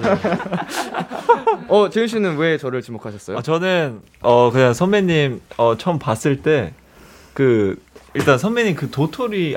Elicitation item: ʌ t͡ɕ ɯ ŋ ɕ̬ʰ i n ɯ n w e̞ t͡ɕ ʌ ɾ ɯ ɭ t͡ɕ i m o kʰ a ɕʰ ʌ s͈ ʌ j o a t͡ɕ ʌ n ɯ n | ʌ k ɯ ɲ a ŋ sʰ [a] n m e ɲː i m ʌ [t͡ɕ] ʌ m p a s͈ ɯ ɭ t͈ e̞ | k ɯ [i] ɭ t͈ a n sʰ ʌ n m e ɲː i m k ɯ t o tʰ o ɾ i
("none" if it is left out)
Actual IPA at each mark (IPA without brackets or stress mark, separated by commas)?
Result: ʌ, t͡ɕʰ, i